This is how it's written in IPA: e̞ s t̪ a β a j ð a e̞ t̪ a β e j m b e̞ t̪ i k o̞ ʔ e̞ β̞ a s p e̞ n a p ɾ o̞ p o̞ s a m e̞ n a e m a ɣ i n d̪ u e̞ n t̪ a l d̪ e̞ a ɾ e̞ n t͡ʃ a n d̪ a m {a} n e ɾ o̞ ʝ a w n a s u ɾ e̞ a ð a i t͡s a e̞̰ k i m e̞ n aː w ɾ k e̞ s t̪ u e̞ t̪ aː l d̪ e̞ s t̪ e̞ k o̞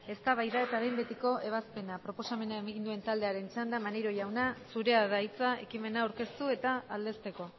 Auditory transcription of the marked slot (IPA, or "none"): a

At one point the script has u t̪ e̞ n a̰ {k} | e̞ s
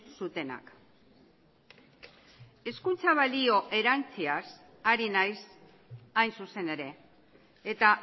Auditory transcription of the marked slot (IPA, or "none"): k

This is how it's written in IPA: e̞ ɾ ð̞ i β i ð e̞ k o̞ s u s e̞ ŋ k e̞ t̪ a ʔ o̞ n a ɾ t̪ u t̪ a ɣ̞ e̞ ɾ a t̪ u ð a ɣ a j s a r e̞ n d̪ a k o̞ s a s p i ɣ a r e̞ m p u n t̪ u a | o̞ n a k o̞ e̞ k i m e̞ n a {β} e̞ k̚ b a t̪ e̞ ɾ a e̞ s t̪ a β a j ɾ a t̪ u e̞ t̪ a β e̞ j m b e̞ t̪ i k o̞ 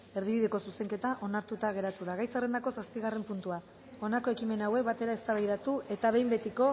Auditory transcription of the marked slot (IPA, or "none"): w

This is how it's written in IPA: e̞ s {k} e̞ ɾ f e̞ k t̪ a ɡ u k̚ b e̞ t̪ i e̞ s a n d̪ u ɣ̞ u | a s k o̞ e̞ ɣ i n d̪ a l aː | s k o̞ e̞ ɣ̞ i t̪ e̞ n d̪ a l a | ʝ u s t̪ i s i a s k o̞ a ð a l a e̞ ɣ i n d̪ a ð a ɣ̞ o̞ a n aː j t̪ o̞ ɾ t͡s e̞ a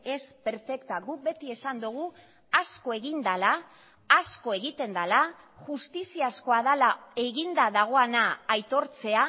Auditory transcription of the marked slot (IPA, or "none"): p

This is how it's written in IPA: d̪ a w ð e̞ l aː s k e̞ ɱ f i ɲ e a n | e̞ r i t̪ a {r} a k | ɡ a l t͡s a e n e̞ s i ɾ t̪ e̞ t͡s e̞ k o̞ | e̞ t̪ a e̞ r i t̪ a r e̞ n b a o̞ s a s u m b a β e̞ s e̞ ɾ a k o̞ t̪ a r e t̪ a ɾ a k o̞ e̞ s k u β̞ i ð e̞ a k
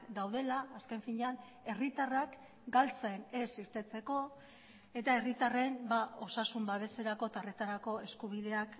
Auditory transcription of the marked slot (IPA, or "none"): r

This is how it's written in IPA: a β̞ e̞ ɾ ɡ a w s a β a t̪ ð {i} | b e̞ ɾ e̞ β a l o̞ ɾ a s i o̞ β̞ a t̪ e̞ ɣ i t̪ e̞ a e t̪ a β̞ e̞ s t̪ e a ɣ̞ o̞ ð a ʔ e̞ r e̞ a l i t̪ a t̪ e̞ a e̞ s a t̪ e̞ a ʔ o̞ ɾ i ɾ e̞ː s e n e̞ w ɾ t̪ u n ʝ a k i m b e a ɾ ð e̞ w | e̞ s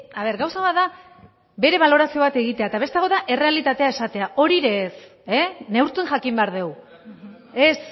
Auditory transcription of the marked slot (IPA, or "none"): a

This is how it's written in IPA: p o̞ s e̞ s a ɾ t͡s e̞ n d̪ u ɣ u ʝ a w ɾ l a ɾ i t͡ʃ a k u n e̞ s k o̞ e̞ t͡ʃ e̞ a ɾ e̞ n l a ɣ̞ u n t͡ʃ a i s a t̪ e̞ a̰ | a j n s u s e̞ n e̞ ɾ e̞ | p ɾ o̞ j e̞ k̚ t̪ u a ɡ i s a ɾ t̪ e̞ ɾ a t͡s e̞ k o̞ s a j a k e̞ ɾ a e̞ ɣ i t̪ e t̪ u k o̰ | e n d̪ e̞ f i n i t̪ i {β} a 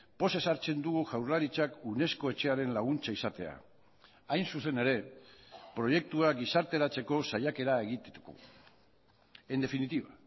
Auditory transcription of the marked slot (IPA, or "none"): β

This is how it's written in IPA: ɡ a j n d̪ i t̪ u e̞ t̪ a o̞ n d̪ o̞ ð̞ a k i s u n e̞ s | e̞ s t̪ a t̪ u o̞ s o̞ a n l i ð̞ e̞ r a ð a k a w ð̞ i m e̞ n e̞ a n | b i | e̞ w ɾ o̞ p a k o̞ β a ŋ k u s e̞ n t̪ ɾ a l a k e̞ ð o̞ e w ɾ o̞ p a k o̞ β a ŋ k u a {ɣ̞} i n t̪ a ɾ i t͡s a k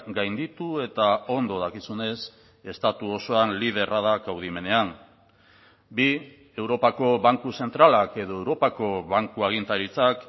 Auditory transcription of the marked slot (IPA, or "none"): ɣ̞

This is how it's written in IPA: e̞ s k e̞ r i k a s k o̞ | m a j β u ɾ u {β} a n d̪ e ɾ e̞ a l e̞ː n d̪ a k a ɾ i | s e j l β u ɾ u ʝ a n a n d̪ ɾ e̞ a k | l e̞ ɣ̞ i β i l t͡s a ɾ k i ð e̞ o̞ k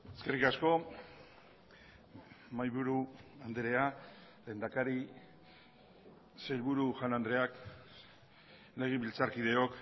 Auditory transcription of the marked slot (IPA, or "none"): none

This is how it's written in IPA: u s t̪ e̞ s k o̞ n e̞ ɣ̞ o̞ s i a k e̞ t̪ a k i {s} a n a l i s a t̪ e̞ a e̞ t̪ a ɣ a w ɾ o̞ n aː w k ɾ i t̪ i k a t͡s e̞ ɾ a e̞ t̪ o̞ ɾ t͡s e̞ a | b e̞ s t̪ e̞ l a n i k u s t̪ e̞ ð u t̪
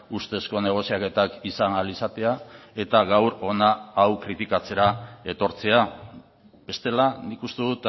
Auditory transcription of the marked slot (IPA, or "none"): s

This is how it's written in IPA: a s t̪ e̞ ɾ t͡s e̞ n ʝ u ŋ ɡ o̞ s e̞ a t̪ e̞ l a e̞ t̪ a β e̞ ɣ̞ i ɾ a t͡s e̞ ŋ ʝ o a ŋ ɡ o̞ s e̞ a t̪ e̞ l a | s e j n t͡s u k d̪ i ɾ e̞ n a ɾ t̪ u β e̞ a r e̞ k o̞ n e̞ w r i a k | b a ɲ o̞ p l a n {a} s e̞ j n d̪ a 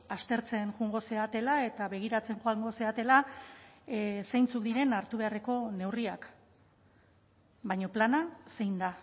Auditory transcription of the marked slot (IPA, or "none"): a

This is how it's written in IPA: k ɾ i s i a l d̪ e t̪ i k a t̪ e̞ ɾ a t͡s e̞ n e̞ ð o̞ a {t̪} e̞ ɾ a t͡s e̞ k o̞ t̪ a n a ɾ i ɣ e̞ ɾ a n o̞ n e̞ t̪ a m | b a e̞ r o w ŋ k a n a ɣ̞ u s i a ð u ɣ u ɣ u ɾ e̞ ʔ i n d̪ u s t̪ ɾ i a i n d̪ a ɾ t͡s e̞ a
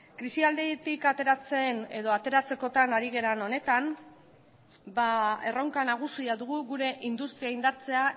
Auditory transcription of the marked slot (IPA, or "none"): t̪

